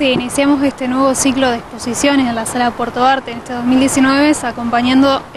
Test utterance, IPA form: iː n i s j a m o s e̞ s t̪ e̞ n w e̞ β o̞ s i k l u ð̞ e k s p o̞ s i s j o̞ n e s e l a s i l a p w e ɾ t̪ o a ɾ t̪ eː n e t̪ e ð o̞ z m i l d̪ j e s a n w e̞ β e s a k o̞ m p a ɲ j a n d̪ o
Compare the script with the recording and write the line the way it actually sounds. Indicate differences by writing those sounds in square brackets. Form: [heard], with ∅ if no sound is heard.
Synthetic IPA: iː n i s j a m o s e̞ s t̪ e̞ n w e̞ β o̞ s i k l [o] ð̞ e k s p o̞ s i s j o̞ n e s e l a s [a] l a p w e ɾ t̪ o a ɾ t̪ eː n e t̪ e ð o̞ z m i l d̪ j e s [i] n w e̞ β e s a k o̞ m p a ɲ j a n d̪ o